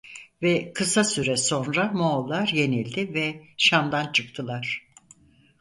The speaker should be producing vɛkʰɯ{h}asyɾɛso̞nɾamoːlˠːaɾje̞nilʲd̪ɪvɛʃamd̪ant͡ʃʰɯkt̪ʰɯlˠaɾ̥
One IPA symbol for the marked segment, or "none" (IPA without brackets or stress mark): s